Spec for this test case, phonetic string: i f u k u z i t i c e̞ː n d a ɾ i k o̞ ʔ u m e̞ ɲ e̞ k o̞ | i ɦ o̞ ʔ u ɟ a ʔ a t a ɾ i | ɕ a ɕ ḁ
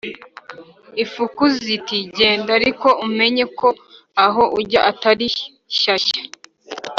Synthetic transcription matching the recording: i f u k u z i t i ɟ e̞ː n d a ɾ i k o̞ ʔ u m e̞ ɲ e̞ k o̞ | a ɦ o̞ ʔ u ɟ a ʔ a t a ɾ i | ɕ a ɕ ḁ